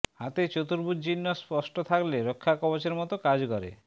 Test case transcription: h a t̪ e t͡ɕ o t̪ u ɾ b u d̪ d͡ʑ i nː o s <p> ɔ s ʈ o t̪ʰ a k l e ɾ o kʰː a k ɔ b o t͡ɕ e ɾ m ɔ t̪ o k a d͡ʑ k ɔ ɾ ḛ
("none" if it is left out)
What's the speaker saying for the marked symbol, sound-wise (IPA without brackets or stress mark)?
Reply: p